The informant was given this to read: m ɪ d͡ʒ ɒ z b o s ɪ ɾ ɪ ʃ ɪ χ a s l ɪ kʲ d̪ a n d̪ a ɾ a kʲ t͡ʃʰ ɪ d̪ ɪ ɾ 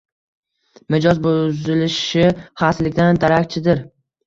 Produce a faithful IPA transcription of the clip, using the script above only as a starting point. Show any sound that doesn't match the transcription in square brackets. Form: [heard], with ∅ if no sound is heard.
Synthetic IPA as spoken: m ɪ d͡ʒ ɒ z b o [z] ɪ [l] ɪ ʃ ɪ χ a s l ɪ kʲ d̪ a n d̪ a ɾ a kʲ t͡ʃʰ ɪ d̪ ɪ ɾ